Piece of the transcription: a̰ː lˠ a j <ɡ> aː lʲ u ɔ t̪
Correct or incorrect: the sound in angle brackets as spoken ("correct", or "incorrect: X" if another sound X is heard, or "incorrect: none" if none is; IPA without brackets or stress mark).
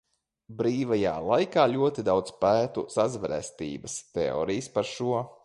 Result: incorrect: k